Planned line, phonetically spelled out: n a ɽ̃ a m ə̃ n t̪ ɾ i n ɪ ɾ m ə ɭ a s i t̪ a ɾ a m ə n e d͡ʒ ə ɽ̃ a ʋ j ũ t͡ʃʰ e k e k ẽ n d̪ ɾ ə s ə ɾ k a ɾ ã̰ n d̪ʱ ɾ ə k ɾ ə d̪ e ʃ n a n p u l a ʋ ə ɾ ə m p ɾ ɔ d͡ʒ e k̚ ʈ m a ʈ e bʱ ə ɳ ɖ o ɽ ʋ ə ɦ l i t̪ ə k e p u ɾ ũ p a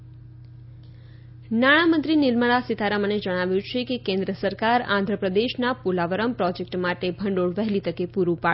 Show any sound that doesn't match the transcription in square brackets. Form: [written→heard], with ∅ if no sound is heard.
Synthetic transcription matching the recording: n a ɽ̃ a m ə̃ n t̪ ɾ i n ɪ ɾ m ə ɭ a s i t̪ a ɾ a m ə n e d͡ʒ ə ɽ̃ a ʋ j ũ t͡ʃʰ e k e k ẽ n d̪ ɾ ə s ə ɾ k a ɾ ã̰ n d̪ʱ ɾ ə [k→p] ɾ ə d̪ e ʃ n a [n→∅] p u l a ʋ ə ɾ ə m p ɾ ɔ d͡ʒ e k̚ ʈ m a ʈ e bʱ ə ɳ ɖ o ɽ ʋ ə ɦ l i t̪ ə k e p u ɾ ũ p a